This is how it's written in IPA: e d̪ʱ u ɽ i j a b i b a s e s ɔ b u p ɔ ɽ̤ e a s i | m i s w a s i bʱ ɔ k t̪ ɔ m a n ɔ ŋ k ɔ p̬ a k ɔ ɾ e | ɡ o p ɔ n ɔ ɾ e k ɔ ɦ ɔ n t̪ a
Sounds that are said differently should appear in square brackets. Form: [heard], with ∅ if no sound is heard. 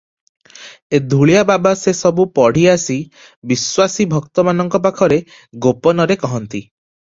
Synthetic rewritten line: e d̪ʱ u [ɭ] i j a b [a] b a s e s ɔ b u p ɔ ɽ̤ [i] a s i | [b] i s w a s i bʱ ɔ k t̪ ɔ m a n ɔ ŋ k ɔ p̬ a [kʰ] ɔ ɾ e | ɡ o p ɔ n ɔ ɾ e k ɔ ɦ ɔ n t̪ [i]

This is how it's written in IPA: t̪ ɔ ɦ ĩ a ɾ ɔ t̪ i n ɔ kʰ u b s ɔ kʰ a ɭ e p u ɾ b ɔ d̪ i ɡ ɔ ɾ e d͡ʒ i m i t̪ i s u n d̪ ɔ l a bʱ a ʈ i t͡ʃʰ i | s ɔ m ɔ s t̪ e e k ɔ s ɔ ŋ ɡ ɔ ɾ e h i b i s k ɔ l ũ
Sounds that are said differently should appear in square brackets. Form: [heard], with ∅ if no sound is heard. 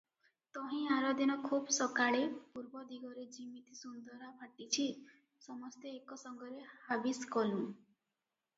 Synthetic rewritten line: t̪ ɔ ɦ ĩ a ɾ ɔ [d̪] i n ɔ kʰ u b s ɔ [k] a ɭ e p u ɾ b ɔ d̪ i ɡ ɔ ɾ e d͡ʒ i m i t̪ i s u n d̪ ɔ [ɾ] a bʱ a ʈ i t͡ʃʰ i | s ɔ m ɔ s t̪ e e k ɔ s ɔ ŋ ɡ ɔ ɾ e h [a] b i s k ɔ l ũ

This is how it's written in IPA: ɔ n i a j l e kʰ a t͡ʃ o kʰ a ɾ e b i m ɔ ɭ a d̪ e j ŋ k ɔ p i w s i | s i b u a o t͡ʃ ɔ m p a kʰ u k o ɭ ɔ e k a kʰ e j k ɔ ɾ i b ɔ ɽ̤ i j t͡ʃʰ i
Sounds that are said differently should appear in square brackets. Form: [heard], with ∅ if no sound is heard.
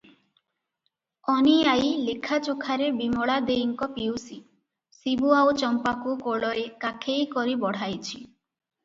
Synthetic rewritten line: ɔ n i a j l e kʰ a t͡ʃ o kʰ a ɾ e b i m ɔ ɭ a d̪ e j ŋ k ɔ p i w s i | s i b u a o t͡ʃ ɔ m p a [k] u k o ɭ ɔ e k a kʰ e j k ɔ ɾ i b ɔ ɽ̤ [a] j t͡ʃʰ i

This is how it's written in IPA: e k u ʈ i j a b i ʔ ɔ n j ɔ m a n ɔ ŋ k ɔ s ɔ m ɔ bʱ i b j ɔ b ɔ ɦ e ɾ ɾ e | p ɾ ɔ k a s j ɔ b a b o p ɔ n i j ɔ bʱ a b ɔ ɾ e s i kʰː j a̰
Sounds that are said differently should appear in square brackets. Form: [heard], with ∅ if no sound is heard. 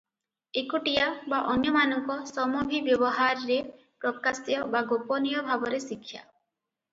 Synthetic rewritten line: e k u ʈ i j a b [a] ʔ ɔ n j ɔ m a n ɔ ŋ k ɔ s ɔ m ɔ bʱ i b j ɔ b ɔ ɦ [a] ɾ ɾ e | p ɾ ɔ k a s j ɔ b a [ɡ] o p ɔ n i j ɔ bʱ a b ɔ ɾ e s i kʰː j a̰

